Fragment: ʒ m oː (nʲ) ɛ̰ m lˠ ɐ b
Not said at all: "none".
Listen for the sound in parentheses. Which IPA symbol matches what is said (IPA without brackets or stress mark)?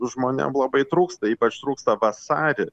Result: nʲ